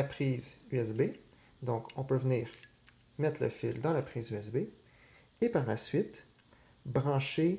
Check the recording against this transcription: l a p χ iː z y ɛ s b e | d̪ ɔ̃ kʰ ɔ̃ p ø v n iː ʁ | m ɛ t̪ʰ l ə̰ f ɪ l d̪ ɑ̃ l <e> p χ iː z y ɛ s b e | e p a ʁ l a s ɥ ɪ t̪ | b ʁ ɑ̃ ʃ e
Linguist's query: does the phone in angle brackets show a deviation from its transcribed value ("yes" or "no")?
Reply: yes